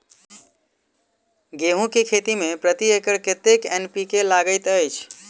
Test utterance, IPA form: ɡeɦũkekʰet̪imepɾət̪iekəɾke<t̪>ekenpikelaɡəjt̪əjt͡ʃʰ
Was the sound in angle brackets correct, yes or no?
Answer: yes